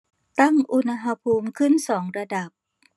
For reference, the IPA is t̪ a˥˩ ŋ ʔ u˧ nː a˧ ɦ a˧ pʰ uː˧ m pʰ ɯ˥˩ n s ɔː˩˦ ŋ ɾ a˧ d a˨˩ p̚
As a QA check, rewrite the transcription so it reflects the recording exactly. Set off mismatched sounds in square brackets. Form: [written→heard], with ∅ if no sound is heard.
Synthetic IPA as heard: t̪ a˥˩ ŋ ʔ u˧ [nː→n] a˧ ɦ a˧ pʰ uː˧ m [pʰ→kʰ] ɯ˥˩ n s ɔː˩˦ ŋ ɾ a˧ d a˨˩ p̚